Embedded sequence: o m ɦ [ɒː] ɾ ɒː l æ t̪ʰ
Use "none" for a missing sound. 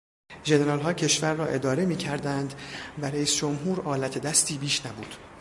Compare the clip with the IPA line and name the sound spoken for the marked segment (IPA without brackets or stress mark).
uː